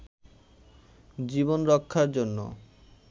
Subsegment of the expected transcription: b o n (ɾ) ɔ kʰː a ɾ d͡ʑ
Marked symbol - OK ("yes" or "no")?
yes